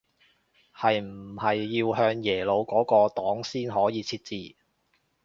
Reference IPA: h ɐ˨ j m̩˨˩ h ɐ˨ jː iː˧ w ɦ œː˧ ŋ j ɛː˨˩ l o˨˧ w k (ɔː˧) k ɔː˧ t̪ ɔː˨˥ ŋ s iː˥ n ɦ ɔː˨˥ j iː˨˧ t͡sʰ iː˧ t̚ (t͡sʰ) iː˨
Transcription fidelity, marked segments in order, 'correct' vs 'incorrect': incorrect, incorrect

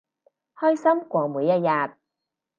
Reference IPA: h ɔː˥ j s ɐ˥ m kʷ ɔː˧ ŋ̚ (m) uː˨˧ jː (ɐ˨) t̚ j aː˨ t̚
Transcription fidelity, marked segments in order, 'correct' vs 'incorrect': correct, incorrect

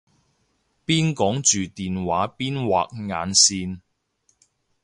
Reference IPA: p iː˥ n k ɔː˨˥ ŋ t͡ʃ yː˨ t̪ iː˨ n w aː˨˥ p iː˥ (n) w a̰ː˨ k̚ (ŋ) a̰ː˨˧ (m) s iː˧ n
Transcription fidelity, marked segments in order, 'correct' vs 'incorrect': correct, correct, incorrect

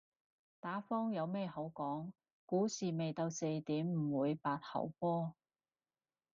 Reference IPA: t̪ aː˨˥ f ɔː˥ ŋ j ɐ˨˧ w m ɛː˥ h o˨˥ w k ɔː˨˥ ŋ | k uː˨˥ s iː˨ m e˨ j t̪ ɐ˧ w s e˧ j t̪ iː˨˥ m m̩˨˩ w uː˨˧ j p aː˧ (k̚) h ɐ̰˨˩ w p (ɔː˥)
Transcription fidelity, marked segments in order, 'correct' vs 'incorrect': incorrect, correct

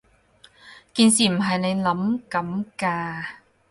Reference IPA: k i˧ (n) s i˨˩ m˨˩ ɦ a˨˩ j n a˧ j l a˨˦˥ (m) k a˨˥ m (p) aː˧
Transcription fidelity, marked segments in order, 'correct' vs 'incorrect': correct, correct, incorrect

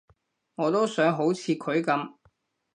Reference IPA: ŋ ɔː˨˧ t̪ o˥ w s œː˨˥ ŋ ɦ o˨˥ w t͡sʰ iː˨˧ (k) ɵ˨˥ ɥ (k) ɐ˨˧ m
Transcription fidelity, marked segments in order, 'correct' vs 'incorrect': incorrect, correct

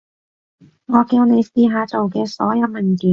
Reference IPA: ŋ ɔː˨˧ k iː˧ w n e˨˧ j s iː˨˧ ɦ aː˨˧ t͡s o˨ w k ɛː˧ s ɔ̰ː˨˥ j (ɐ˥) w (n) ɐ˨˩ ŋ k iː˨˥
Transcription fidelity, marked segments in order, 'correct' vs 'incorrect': incorrect, incorrect

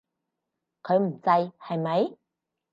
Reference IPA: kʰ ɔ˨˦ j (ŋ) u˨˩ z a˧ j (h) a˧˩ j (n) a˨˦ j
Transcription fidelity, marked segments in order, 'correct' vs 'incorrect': incorrect, correct, incorrect

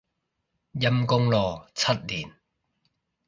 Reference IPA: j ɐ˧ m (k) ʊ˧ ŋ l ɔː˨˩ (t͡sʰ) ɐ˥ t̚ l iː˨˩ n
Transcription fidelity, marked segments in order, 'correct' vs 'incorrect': correct, correct

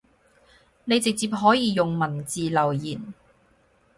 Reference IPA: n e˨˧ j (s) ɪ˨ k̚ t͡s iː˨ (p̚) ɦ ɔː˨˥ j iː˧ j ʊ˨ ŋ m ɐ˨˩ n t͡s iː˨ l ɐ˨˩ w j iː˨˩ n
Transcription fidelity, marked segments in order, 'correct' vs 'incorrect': incorrect, correct

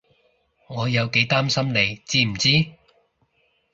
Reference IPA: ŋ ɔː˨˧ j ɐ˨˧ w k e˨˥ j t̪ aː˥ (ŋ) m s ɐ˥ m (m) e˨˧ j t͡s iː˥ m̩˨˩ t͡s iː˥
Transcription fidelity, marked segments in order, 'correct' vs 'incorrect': incorrect, incorrect

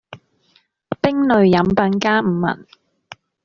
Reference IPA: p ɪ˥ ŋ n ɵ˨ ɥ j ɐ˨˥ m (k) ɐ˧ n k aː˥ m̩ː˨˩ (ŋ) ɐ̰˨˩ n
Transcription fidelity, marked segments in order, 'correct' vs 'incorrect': incorrect, incorrect

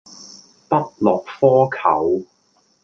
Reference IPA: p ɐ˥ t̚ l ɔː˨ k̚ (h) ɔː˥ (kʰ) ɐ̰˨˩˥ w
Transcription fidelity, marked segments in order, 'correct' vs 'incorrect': incorrect, correct

